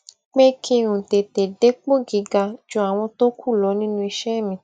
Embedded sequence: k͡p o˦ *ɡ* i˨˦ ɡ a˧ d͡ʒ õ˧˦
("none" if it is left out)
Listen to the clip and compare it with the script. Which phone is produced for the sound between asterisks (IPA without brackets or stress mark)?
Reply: ɡ